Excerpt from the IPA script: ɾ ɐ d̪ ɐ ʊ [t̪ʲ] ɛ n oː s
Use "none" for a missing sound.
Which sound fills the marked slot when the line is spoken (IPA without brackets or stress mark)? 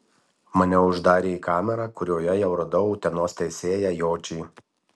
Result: t̪ʲ